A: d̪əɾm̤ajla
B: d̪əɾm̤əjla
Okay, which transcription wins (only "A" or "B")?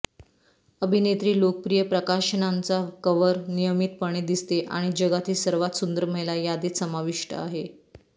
B